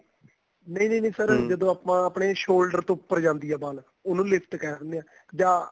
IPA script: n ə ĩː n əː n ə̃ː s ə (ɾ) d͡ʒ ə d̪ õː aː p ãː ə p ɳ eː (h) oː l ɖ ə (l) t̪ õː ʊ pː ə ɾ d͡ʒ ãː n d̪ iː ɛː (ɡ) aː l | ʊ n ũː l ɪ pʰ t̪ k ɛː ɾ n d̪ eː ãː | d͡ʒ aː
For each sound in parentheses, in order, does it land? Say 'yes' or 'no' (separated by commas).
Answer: yes, no, no, no